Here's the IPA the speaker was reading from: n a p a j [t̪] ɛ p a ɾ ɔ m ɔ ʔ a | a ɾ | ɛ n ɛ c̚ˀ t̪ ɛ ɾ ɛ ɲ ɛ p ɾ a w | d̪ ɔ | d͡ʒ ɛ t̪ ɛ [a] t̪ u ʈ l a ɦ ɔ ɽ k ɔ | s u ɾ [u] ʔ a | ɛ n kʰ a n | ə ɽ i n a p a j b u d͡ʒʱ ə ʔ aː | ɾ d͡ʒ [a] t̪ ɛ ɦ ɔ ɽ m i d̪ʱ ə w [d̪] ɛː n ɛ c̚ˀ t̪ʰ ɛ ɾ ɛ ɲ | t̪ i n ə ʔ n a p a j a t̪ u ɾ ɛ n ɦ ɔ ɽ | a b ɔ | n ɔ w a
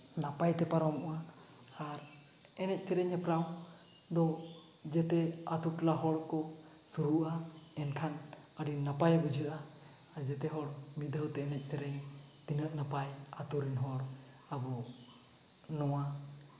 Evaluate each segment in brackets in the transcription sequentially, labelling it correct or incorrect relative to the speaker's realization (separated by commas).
correct, correct, correct, incorrect, incorrect